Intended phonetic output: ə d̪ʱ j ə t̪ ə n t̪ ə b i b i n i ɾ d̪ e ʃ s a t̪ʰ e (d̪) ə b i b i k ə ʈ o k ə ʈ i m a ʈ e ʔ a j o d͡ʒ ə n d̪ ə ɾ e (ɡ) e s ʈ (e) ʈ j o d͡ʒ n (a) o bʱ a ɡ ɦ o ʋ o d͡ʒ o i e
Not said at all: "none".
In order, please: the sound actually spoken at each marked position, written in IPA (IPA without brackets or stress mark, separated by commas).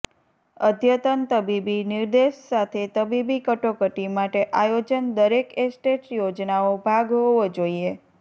t̪, k, e, a